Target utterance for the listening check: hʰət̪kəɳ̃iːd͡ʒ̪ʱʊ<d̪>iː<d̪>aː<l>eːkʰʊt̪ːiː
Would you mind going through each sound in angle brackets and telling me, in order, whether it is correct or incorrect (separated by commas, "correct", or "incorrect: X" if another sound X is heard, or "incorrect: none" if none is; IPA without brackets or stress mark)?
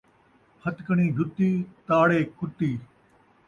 incorrect: t̪, incorrect: t̪, incorrect: ɽ